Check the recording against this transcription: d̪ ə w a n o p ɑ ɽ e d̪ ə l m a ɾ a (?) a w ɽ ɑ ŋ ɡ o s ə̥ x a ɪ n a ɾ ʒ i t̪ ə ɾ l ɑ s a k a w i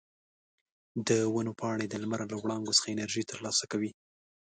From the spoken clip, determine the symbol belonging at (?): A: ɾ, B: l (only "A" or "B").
B